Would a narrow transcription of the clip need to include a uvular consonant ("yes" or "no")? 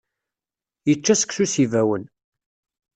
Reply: no